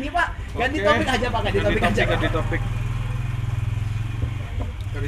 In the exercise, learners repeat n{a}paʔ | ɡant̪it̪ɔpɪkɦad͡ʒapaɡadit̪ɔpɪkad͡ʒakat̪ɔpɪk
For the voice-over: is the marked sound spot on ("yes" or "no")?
no